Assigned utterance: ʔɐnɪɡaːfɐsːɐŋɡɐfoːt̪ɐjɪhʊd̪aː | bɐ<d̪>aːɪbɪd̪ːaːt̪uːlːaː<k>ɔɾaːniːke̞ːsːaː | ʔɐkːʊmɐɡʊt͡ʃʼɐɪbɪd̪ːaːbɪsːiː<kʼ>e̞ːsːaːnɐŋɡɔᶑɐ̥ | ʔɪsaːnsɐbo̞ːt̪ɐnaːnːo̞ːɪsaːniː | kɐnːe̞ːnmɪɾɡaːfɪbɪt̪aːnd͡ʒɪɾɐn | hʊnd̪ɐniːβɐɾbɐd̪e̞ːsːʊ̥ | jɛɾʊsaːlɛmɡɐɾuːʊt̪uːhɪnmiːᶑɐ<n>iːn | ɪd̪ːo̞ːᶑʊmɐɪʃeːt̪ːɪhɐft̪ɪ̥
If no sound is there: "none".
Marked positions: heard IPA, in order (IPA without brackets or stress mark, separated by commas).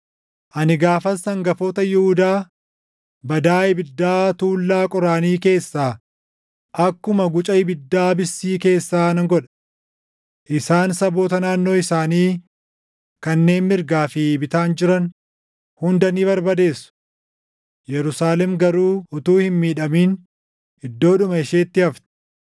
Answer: d̪, kʼ, k, m